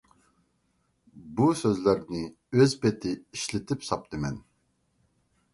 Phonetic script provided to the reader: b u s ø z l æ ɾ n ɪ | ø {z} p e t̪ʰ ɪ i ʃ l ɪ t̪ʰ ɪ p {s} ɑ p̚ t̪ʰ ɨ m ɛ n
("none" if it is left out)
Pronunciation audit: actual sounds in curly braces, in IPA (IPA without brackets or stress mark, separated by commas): z, s